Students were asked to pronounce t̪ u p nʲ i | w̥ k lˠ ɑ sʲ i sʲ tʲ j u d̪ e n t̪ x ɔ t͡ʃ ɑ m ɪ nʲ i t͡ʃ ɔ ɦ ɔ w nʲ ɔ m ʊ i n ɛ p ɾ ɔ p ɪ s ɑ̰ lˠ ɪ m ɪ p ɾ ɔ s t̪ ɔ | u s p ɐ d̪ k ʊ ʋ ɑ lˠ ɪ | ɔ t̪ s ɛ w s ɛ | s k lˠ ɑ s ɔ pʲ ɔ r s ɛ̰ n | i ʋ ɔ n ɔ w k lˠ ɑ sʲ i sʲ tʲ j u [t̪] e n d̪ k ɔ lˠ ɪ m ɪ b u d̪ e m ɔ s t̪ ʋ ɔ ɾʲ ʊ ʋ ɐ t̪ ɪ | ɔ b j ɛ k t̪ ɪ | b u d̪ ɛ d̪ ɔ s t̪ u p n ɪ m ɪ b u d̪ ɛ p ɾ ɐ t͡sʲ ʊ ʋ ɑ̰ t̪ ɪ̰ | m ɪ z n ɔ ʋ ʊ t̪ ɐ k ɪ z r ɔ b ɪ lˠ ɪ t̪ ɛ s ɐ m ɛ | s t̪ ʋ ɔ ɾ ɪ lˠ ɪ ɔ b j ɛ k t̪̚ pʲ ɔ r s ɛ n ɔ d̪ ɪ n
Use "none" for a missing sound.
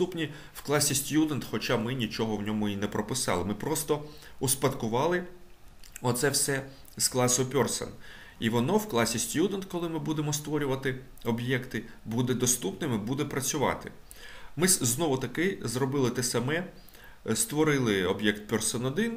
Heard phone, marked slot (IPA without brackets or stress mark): d̪